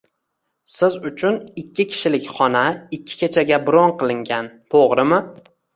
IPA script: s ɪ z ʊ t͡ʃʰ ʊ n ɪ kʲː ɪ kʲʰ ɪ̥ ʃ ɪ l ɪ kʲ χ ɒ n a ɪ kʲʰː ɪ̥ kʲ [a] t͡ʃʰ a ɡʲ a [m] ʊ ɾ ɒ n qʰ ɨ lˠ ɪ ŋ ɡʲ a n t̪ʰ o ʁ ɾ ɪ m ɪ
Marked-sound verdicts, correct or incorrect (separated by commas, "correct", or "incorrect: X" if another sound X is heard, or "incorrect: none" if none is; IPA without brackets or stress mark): incorrect: e, incorrect: b